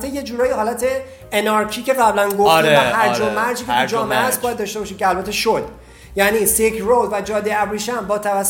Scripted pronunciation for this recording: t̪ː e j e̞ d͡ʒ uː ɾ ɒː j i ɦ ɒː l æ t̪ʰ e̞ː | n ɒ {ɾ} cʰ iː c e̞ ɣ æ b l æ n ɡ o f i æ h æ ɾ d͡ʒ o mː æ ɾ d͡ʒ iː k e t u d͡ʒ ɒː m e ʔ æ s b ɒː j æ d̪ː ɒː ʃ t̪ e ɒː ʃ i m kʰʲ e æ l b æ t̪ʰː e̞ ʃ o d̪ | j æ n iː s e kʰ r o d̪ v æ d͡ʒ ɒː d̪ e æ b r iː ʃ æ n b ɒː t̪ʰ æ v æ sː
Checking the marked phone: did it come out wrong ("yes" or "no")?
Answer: no